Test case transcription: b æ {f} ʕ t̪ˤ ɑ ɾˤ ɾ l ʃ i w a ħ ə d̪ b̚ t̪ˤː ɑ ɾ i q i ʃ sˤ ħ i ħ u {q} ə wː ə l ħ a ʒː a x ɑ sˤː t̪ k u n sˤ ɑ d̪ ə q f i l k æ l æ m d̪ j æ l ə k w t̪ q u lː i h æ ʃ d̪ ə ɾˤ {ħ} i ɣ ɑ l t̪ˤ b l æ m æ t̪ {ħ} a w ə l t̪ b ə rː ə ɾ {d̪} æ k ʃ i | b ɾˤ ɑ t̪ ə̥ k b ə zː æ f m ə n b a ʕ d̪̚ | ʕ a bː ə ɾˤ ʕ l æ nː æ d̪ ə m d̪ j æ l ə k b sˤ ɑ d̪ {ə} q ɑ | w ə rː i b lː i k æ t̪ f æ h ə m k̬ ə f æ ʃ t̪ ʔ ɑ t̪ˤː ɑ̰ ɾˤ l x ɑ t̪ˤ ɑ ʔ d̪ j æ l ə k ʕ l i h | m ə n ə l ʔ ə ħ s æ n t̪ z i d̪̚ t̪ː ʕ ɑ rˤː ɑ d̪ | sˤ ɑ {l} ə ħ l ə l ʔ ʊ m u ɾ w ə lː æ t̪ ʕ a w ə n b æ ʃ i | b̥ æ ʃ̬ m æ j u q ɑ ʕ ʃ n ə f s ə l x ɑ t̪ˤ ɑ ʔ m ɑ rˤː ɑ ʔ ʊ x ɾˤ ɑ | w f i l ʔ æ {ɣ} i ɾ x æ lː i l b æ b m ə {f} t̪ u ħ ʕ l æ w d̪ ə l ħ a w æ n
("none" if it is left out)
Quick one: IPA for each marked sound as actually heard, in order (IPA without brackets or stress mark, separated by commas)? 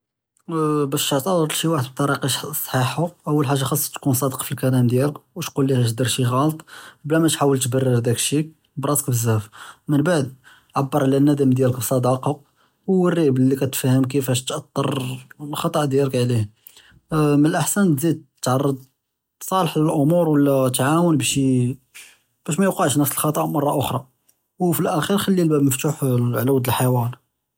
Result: ʃ, ʔ, ʃ, ħ, d̪, ɑ, l, x, f